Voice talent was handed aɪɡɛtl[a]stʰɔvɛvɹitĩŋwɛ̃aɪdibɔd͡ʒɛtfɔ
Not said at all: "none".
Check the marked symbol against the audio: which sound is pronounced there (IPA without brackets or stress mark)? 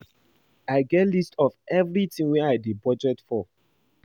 i